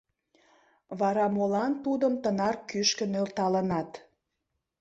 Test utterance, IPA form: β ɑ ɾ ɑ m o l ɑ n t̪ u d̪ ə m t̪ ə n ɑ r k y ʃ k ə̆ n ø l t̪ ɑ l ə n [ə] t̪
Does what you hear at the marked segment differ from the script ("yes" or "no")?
yes